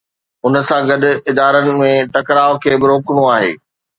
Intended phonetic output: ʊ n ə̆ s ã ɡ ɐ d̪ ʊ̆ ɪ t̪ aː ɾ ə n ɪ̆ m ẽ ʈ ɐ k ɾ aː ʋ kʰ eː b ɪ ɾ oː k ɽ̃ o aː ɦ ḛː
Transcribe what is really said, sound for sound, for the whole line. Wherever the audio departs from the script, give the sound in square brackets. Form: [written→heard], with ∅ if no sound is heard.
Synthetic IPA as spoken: ʊ n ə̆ s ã ɡ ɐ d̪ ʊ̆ ɪ [t̪→d̪] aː ɾ ə n ɪ̆ m ẽ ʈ ɐ k ɾ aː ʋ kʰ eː b ɪ ɾ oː k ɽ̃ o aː ɦ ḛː

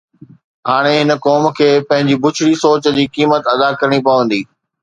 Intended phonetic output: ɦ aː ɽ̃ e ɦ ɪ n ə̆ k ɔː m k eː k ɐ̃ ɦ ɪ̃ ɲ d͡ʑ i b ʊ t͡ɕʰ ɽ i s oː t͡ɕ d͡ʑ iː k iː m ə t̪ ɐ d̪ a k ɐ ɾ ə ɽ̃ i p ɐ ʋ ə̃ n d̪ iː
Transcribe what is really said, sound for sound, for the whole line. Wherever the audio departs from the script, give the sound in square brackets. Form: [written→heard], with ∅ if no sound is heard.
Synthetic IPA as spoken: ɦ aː ɽ̃ e ɦ ɪ n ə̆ k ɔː m [k→kʰ] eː [k→p] ɐ̃ ɦ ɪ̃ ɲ d͡ʑ i b ʊ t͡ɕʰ ɽ i s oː t͡ɕ d͡ʑ iː k iː m ə t̪ ɐ d̪ a k ɐ ɾ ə ɽ̃ i p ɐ ʋ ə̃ n d̪ iː

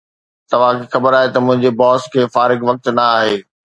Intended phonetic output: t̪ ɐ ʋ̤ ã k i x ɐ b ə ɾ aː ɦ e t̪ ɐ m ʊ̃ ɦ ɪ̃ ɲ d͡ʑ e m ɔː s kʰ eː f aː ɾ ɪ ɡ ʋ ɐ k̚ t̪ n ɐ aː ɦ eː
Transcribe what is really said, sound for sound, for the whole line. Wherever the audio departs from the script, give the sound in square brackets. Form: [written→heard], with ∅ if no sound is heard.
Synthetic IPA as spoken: t̪ ɐ ʋ̤ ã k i x ɐ b ə ɾ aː ɦ e t̪ ɐ m ʊ̃ ɦ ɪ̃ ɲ d͡ʑ e [m→b] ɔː s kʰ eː f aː ɾ ɪ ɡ ʋ ɐ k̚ t̪ n ɐ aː ɦ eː

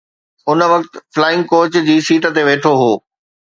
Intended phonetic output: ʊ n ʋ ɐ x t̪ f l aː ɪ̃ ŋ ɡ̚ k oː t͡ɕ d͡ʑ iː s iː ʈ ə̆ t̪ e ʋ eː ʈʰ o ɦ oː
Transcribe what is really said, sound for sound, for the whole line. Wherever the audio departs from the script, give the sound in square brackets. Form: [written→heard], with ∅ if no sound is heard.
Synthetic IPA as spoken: ʊ n ʋ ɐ [x→k] t̪ f l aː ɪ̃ ŋ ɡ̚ k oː t͡ɕ d͡ʑ iː s iː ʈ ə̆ t̪ e ʋ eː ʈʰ o ɦ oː

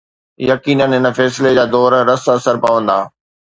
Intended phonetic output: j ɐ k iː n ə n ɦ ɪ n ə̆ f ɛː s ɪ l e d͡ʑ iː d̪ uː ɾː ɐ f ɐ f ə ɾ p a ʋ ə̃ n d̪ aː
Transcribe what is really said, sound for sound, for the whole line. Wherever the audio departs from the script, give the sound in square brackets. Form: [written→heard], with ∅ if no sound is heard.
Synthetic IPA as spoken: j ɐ k iː n ə n ɦ ɪ n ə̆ f ɛː s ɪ l e d͡ʑ [iː→aː] d̪ [uː→ɔː] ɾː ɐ [f→s] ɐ [f→s] ə ɾ p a ʋ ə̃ n d̪ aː

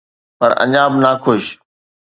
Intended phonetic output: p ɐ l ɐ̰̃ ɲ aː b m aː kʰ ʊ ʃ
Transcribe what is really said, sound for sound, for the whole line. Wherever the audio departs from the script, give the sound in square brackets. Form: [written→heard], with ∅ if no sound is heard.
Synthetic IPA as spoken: p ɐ [l→ɾ] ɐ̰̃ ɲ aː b [m→n] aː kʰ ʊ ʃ

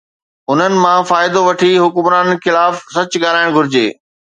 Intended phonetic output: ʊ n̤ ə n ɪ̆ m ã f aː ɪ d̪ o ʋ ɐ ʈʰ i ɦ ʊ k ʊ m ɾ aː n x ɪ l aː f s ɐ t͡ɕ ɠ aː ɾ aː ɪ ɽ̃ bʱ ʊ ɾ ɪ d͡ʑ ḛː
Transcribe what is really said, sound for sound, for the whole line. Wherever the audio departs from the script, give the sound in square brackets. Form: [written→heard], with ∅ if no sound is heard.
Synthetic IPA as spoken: ʊ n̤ ə n ɪ̆ m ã f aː ɪ d̪ o ʋ ɐ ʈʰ i ɦ ʊ k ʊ m ɾ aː n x ɪ l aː f s ɐ t͡ɕ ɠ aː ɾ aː ɪ ɽ̃ [bʱ→ɡʱ] ʊ ɾ ɪ d͡ʑ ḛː

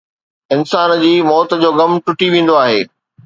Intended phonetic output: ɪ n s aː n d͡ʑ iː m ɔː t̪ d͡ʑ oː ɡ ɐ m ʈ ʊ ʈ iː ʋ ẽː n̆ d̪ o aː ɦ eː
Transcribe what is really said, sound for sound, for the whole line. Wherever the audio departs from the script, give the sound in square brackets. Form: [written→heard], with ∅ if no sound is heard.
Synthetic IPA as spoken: ɪ n s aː n d͡ʑ iː m ɔː t̪ d͡ʑ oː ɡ ɐ m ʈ ʊ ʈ [iː→i] ʋ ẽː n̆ d̪ o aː ɦ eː

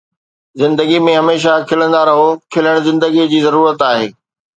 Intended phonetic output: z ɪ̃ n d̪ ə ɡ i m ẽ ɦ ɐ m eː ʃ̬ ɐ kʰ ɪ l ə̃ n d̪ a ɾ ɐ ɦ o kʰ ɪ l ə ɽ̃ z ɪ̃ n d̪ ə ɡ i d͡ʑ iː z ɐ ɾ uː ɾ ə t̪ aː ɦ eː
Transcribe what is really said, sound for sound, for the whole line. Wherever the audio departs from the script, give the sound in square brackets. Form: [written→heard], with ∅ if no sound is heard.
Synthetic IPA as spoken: z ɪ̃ n d̪ ə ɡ i m ẽ ɦ ɐ m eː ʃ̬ [ɐ→a] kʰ ɪ l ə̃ n d̪ a ɾ ɐ ɦ o kʰ ɪ l ə ɽ̃ z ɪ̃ n d̪ ə ɡ i d͡ʑ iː z ɐ ɾ uː ɾ ə t̪ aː ɦ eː

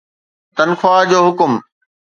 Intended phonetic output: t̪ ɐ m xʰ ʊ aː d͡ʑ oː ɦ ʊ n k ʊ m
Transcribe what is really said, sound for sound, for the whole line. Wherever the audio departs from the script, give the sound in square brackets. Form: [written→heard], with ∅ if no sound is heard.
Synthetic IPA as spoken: t̪ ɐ [m→n] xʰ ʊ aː d͡ʑ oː ɦ ʊ [n→∅] k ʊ m

